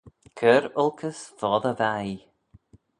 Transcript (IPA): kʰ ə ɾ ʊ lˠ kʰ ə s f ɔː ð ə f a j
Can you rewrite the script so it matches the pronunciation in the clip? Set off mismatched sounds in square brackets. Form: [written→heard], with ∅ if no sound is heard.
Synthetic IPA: kʰ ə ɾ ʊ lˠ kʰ ə s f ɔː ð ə [f→v] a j